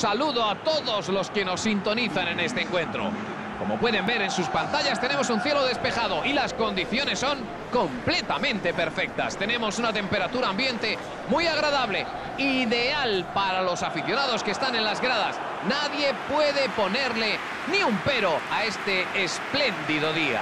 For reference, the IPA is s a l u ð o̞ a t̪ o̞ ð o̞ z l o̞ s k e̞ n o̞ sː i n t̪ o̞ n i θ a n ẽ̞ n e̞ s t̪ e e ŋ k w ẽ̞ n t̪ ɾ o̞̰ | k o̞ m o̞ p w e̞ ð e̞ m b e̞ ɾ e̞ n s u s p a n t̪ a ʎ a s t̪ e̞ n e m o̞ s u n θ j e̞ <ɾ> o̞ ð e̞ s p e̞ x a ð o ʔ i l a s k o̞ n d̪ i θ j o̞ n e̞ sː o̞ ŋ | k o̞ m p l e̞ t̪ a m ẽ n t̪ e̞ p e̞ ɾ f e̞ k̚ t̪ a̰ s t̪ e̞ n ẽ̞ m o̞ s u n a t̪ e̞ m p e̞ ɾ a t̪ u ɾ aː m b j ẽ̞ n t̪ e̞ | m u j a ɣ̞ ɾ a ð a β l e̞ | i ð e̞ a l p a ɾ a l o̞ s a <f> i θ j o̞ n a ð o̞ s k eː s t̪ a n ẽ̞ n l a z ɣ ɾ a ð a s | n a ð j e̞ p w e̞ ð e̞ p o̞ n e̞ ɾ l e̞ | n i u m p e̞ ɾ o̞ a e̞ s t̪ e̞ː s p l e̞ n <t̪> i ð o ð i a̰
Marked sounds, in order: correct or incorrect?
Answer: incorrect: l, correct, incorrect: d̪

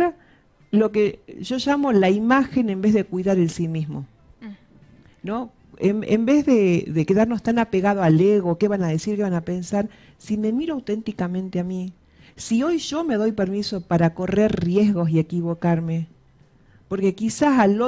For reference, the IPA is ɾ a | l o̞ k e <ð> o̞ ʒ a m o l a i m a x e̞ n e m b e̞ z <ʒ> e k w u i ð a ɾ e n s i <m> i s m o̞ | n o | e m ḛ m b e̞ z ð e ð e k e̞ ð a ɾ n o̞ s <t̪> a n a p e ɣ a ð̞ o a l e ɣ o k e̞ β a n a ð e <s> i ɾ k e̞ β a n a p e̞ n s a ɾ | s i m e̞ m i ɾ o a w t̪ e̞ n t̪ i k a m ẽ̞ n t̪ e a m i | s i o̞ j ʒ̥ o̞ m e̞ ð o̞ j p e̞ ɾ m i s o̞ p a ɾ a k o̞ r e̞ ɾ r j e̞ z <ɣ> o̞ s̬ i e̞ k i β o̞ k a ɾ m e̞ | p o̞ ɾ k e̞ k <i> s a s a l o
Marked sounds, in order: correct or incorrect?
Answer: incorrect: ʒ, incorrect: ð, correct, correct, correct, correct, correct

